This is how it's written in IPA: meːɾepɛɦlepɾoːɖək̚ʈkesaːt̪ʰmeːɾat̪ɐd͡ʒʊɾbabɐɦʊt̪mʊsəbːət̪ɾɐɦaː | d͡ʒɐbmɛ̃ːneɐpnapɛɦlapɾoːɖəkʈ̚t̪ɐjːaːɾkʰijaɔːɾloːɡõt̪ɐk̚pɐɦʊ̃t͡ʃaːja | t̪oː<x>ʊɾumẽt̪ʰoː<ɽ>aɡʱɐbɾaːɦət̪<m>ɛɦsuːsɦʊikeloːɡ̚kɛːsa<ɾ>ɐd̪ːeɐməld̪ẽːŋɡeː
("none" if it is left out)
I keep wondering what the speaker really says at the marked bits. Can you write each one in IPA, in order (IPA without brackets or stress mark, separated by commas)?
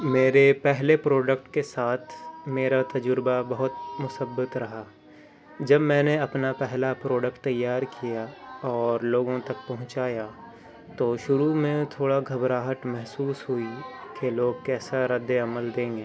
ʃ, ɽ, m, ɾ